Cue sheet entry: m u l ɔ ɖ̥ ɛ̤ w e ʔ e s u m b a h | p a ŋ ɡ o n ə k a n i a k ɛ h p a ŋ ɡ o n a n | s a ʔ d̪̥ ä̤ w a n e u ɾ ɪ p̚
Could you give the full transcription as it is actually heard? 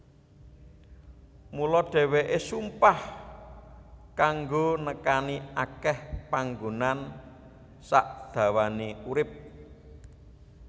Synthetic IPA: m u l ɔ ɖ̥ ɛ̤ w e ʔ e s u m p a h | k a ŋ ɡ o n ə k a n i a k ɛ h p a ŋ ɡ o n a n | s a ʔ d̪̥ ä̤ w a n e u ɾ ɪ p̚